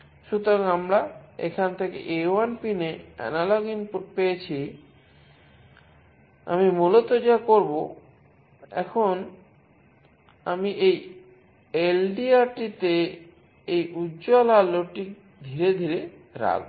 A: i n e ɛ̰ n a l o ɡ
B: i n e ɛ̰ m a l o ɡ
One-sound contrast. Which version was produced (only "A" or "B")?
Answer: A